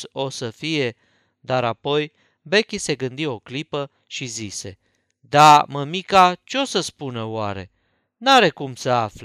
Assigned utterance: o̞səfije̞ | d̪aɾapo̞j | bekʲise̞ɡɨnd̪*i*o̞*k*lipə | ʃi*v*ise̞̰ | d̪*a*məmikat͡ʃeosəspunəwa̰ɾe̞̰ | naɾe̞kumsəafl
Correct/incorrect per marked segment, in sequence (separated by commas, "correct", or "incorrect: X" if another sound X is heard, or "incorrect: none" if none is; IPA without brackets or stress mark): correct, correct, incorrect: z, correct